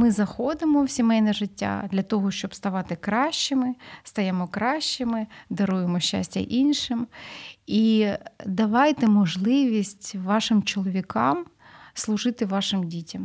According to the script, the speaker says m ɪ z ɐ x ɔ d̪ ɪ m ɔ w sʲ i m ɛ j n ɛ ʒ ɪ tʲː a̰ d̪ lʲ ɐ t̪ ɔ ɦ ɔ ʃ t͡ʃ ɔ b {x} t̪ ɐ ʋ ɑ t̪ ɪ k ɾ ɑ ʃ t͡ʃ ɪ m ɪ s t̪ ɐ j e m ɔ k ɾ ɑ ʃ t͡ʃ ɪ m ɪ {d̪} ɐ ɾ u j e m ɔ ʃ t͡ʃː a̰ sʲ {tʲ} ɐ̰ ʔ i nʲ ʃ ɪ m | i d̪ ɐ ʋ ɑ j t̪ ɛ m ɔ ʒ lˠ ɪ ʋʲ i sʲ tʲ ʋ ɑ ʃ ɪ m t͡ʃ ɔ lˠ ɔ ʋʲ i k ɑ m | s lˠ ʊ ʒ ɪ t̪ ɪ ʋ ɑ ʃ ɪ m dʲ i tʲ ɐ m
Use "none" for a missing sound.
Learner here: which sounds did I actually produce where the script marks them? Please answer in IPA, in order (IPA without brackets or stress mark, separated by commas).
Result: s, d̪, tʲ